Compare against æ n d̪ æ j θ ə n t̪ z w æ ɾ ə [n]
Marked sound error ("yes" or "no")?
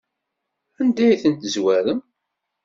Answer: yes